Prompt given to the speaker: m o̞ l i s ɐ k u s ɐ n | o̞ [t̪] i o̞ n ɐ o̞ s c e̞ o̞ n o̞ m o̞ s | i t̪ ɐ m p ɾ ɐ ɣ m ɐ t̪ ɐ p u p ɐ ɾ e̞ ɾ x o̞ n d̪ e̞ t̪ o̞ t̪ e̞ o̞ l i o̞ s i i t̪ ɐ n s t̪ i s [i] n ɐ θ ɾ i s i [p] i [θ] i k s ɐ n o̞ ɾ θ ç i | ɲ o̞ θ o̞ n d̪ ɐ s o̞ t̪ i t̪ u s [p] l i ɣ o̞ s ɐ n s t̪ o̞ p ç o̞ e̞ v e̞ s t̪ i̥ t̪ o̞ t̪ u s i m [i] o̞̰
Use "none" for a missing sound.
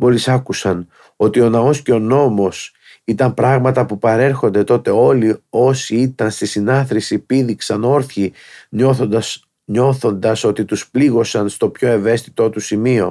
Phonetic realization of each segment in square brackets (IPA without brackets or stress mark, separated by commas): t̪, i, p, ð, p, i